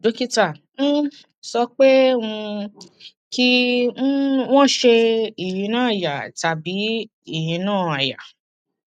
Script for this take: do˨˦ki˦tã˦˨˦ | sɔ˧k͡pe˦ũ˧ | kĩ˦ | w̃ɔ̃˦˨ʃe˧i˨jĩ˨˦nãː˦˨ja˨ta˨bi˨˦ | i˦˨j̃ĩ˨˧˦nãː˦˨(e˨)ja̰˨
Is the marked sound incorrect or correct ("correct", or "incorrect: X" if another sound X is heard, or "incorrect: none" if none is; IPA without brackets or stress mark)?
incorrect: a˨